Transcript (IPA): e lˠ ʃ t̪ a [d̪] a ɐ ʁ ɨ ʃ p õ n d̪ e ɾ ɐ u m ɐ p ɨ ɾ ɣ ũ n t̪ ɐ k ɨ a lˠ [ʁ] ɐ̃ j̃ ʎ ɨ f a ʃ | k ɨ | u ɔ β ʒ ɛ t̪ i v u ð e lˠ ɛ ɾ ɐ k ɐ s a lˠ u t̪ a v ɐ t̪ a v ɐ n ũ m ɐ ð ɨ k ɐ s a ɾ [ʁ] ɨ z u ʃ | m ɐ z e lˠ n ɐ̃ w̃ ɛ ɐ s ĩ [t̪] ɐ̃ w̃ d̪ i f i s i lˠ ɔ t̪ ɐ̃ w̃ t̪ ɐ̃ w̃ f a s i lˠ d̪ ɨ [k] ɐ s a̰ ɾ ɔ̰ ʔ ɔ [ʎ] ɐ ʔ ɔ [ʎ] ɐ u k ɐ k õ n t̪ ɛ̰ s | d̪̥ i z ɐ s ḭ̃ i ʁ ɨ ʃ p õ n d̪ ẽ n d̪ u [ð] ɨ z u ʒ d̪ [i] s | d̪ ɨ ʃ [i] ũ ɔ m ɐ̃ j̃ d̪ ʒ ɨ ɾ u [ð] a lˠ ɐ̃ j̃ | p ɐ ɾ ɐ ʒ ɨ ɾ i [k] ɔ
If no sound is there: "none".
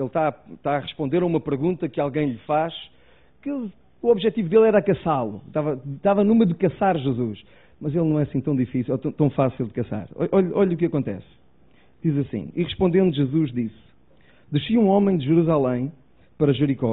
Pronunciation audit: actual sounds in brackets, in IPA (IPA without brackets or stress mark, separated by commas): t̪, ɣ, ʒ, t̪, k, ʎ, ʎ, ʒ, i, i, z, k